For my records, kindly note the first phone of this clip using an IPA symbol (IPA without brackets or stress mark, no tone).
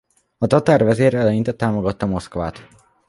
ɒ